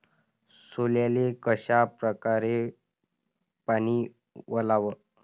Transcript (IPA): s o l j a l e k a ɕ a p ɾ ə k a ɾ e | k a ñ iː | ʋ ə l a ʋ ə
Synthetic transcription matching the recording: s o l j a l e k ə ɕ a p ɾ ə k a ɾ e | p a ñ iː | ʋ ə l a ʋ ə

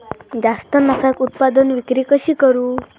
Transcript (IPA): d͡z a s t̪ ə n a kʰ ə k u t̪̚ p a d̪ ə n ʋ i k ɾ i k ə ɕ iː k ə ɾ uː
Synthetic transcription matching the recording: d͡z a s t̪ ə n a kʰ a k u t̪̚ p a d̪ ə n ʋ i k ɾ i k ə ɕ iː k ə ɾ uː

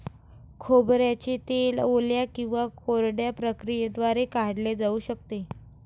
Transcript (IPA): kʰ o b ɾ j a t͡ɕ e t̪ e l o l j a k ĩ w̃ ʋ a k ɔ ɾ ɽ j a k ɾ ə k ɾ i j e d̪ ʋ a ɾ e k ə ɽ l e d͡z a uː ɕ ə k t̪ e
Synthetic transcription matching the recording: kʰ o b ɾ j a t͡ɕ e t̪ e l o l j a k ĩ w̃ ʋ a k o ɾ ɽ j a p ɾ ə k ɾ i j e d̪ ʋ a ɾ e k a ɽ l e d͡z a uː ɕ ə k t̪ e

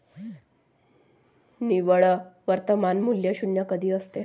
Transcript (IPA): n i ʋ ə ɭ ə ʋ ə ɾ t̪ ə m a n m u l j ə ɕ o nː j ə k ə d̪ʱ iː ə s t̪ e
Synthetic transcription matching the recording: n i ʋ ə ɭ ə ʋ ə ɾ t̪ ə m a n m u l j ə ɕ u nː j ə k ə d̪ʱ iː ə s t̪ e

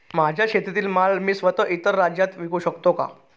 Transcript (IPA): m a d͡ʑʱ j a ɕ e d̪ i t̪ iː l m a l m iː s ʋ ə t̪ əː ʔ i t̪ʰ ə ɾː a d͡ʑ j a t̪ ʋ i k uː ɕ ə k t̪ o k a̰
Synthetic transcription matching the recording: m a d͡ʑʱ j a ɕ e t̪ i t̪ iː l m a l m iː s ʋ ə t̪ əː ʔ i t̪ ə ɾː a d͡ʑ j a t̪ ʋ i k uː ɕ ə k t̪ o k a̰

